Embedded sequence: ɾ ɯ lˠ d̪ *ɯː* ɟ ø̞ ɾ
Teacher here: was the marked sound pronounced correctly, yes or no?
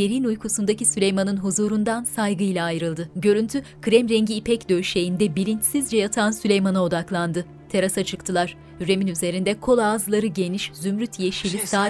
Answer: no